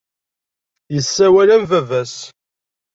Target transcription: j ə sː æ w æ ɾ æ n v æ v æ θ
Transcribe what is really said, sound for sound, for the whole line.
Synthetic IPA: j ə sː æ w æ l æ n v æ v æ s